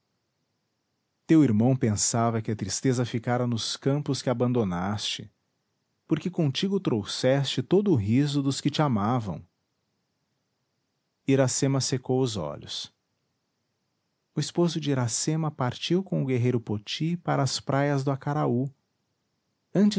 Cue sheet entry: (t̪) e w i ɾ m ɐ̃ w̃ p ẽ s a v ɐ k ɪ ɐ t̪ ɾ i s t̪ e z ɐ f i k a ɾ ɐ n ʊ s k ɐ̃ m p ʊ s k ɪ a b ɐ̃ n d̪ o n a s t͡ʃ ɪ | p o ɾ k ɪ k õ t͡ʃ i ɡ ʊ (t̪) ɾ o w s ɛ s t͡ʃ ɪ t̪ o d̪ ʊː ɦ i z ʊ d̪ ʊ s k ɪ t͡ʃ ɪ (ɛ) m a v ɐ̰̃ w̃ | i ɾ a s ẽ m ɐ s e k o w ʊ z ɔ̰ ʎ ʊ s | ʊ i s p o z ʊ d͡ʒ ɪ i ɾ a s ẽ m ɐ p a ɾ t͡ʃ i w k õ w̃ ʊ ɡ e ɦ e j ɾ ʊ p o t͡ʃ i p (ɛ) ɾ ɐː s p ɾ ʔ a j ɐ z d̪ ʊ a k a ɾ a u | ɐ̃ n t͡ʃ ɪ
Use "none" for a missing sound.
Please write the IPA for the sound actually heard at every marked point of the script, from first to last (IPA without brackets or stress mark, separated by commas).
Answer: t̪, t̪, a, a